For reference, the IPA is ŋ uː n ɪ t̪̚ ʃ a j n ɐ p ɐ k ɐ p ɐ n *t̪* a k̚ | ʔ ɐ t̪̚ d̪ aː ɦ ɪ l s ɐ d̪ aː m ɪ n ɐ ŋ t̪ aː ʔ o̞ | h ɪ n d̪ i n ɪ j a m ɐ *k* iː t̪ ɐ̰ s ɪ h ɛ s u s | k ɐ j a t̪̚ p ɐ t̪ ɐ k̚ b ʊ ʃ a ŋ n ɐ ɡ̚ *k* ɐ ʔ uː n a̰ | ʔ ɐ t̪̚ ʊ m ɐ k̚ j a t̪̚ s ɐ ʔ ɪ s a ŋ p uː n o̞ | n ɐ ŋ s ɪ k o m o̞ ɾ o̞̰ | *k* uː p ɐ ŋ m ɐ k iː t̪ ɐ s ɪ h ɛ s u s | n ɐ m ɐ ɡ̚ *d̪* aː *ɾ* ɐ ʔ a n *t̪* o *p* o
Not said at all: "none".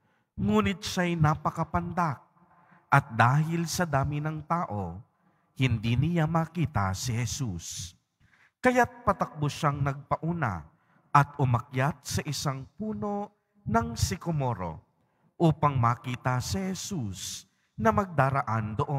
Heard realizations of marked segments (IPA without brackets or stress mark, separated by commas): d̪, k, p, ʔ, d̪, ɾ, d̪, ʔ